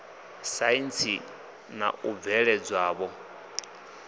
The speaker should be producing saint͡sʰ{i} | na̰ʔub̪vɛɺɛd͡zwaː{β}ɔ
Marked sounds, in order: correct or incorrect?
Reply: correct, correct

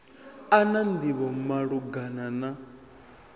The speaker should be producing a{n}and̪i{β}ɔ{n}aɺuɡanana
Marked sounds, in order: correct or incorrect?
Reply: correct, correct, incorrect

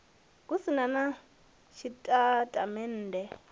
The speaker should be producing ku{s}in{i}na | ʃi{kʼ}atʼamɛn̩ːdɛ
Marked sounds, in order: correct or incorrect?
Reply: correct, incorrect, incorrect

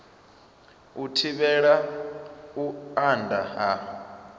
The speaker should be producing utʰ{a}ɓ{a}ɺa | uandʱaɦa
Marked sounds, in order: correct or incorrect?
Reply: incorrect, incorrect

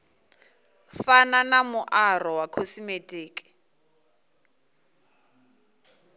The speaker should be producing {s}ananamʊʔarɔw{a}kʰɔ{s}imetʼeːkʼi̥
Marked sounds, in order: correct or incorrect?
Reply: incorrect, correct, correct

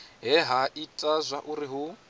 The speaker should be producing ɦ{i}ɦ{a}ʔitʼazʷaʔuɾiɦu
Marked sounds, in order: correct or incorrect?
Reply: incorrect, correct

